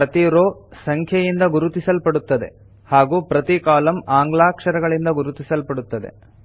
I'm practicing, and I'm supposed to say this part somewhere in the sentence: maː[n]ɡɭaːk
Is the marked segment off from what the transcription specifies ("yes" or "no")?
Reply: yes